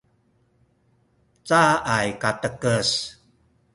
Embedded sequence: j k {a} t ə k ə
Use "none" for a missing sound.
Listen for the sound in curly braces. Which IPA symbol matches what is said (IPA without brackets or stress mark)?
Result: a